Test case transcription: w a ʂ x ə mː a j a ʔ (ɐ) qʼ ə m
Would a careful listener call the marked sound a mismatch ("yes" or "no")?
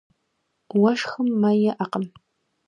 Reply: yes